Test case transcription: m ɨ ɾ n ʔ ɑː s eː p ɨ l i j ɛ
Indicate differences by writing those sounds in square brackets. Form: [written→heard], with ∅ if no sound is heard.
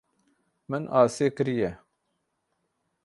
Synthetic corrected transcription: m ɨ [ɾ→∅] n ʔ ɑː s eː [p→k] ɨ [l→ɾ] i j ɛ